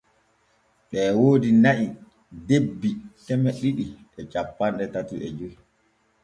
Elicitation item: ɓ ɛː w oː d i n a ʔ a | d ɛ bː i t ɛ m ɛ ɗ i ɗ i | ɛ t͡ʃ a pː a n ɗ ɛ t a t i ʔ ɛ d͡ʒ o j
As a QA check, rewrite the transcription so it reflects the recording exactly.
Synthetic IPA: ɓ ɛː w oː d i n a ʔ i | d e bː i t ɛ m ɛ ɗ i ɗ i | ɛ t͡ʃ a pː a n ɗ ɛ t a t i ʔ ɛ d͡ʒ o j